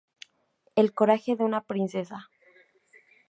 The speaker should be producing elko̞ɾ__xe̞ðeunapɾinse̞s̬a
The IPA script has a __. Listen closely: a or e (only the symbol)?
a